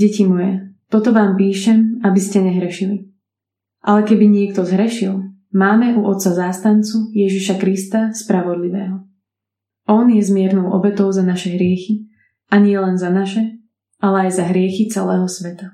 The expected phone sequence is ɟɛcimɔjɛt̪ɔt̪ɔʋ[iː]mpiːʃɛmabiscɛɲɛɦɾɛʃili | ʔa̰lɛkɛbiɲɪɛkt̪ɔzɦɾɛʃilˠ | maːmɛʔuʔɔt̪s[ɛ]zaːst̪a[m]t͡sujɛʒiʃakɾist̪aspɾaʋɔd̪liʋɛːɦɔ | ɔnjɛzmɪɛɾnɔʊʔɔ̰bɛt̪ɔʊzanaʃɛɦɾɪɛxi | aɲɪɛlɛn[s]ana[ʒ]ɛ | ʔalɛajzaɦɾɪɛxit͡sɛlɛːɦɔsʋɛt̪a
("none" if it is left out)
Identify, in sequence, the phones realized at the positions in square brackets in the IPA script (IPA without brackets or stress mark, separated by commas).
aː, a, n, z, ʃ